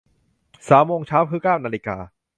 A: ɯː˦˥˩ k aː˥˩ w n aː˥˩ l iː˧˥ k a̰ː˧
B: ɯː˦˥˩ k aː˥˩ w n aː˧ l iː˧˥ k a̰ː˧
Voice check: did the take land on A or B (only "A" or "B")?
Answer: B